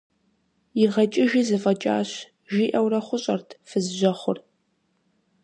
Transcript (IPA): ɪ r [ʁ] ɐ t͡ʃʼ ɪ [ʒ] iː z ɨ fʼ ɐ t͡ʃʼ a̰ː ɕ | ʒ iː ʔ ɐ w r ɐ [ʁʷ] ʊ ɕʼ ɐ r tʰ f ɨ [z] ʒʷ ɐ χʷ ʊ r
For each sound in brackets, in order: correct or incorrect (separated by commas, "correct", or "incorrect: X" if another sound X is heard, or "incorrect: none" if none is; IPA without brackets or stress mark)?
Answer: correct, correct, incorrect: χʷ, correct